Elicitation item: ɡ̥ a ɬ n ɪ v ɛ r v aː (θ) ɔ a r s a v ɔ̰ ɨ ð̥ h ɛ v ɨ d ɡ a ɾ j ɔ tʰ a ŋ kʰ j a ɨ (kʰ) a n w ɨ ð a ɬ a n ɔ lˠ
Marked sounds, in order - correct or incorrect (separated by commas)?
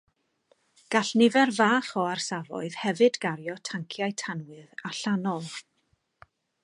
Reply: incorrect, incorrect